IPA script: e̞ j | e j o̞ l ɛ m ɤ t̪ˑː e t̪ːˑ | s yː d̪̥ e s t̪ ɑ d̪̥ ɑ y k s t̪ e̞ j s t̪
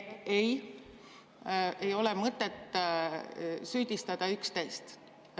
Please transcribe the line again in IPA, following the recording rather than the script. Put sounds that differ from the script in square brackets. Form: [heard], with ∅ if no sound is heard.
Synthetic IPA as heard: e̞ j | e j o̞ l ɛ m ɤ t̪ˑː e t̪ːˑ | s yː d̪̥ [i] s t̪ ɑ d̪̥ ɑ y k s t̪ e̞ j s t̪